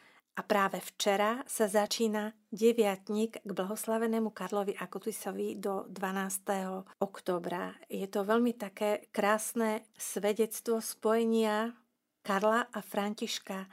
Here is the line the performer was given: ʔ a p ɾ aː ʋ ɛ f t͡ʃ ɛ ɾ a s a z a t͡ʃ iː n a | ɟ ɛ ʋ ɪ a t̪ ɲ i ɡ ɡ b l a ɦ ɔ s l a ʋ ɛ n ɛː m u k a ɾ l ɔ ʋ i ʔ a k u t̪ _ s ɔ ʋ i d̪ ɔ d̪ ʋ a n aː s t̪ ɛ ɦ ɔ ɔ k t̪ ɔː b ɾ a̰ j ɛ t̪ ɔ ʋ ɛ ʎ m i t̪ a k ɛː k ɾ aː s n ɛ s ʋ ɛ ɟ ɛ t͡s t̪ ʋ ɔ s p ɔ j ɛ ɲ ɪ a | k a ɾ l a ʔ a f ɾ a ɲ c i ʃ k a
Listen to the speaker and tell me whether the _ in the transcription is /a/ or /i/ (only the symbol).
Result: i